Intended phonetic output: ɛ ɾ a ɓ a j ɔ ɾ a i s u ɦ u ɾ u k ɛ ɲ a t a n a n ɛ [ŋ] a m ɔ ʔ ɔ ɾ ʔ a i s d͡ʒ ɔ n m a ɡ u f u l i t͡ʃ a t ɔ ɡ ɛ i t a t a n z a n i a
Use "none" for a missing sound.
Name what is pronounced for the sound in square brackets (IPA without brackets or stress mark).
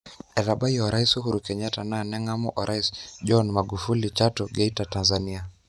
ŋ